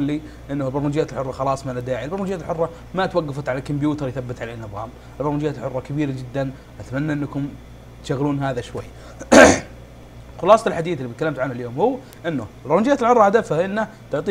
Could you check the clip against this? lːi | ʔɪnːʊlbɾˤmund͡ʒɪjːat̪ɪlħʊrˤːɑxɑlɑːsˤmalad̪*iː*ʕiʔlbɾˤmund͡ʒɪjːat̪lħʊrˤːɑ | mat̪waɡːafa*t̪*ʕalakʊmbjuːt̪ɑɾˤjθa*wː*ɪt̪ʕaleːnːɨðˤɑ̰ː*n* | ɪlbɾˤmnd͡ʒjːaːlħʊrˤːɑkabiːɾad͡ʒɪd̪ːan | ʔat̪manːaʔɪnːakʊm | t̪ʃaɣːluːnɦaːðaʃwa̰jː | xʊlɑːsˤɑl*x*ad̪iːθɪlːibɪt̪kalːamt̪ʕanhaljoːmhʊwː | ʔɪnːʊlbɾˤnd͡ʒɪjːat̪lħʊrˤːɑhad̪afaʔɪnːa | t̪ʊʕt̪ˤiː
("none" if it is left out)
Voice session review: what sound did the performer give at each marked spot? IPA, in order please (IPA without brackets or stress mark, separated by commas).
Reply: aː, t̪, bː, m, ħ